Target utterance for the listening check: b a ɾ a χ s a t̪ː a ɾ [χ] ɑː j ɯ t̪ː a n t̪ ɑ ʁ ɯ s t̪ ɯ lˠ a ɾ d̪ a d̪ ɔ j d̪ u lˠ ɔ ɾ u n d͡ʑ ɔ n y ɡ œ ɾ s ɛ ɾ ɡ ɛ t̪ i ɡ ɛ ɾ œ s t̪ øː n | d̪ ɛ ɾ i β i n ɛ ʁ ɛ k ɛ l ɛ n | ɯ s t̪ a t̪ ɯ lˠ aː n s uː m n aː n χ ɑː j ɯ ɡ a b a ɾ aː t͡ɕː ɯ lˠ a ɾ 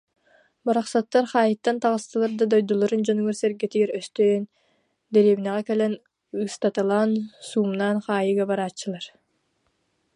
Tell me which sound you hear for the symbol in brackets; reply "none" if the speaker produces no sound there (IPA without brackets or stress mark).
χ